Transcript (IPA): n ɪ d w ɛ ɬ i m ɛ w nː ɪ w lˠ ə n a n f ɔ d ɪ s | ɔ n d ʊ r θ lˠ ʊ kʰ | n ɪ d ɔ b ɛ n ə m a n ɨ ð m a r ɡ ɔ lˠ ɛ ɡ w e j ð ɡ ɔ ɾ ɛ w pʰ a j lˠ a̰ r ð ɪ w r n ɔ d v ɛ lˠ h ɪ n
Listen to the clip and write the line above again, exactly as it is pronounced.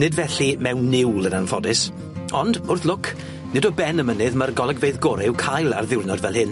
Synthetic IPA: n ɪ d v ɛ ɬ i m ɛ w nː ɪ w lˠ ə n a n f ɔ d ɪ s | ɔ n d ʊ r θ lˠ ʊ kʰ | n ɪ d ɔ b ɛ n ə m ə n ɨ ð m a r ɡ ɔ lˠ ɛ ɡ v e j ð ɡ ɔ ɾ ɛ w kʰ a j lˠ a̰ r ð ɪ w r n ɔ d v ɛ lˠ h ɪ n